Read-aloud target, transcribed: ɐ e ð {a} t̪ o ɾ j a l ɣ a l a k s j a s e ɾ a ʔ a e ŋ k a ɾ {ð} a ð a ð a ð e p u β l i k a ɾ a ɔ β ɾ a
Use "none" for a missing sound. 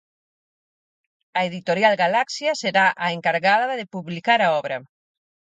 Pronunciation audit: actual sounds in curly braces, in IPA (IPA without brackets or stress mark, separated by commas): i, ɣ